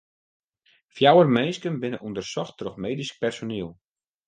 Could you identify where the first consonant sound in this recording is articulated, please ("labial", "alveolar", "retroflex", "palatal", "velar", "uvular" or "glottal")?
labial